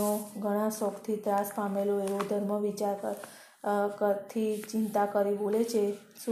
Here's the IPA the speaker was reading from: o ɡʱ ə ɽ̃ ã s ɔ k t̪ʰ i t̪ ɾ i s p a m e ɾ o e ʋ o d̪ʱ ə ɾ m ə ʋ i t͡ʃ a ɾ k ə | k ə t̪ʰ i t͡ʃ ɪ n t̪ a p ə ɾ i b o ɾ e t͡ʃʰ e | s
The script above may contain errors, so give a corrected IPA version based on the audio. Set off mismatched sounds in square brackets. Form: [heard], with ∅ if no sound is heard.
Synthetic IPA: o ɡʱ ə ɽ̃ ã s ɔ k t̪ʰ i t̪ ɾ [a] s p a m e [l] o e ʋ o d̪ʱ ə ɾ m ə ʋ i t͡ʃ a ɾ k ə | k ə t̪ʰ i t͡ʃ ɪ n t̪ a [k] ə ɾ i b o [l] e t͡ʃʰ e | s